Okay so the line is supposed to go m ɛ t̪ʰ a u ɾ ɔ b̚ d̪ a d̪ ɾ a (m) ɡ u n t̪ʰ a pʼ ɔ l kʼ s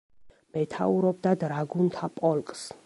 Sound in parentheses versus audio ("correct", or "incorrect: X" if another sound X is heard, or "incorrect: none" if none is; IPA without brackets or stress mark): incorrect: none